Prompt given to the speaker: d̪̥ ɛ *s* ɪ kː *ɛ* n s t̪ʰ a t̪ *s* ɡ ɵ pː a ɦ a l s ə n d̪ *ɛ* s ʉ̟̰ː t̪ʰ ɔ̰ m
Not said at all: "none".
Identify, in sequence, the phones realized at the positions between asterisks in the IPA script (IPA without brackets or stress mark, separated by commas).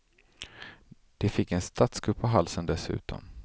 f, ɛ, s, ɛ